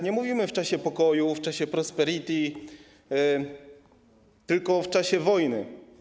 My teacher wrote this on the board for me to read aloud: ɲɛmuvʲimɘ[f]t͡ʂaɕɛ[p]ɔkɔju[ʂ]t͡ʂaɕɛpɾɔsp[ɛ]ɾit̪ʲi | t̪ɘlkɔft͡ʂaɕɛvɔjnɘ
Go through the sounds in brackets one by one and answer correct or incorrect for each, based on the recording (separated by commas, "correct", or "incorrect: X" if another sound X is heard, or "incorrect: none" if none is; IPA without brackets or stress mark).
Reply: correct, correct, incorrect: f, correct